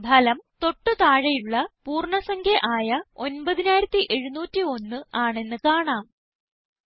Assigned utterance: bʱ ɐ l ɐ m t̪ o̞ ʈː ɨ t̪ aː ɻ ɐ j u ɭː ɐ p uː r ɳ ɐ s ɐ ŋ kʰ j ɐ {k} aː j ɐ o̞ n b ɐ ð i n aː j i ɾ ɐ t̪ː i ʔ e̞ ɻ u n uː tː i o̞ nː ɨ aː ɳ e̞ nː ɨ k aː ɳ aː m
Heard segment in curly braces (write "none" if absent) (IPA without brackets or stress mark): ʔ